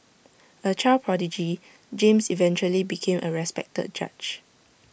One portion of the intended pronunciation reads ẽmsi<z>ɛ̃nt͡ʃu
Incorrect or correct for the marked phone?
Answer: incorrect: v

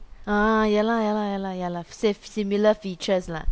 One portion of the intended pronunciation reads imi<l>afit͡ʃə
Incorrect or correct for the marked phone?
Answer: correct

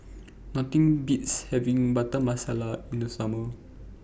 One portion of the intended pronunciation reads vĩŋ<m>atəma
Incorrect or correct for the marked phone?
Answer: incorrect: b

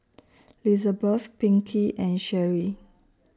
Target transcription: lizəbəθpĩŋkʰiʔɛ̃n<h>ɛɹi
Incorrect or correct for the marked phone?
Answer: incorrect: ʃ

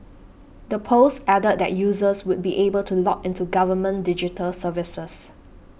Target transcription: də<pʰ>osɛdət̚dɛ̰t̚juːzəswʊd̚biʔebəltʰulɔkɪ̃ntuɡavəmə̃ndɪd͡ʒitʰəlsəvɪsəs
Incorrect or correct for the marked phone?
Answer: correct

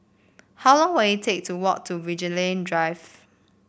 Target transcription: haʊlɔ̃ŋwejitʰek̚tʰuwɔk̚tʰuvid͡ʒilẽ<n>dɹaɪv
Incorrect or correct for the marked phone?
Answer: correct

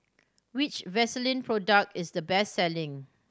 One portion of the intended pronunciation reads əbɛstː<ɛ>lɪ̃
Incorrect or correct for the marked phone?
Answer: correct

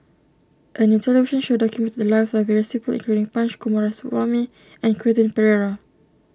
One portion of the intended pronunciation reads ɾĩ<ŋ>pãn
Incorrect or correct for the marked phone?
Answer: correct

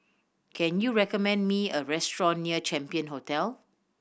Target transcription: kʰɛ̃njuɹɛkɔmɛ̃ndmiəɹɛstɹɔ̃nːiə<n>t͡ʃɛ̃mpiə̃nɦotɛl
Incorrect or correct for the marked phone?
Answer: incorrect: none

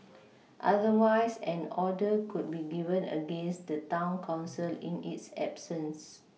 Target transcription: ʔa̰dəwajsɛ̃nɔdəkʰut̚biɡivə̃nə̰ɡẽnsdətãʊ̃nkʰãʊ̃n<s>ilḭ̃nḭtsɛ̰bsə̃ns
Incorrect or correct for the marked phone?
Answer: correct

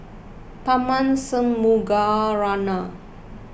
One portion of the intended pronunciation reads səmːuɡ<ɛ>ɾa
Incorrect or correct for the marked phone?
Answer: incorrect: a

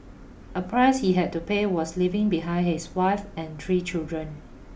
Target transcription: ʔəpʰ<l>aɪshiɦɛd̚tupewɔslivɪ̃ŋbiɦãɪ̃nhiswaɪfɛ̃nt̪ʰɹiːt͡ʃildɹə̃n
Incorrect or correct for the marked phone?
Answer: incorrect: ɹ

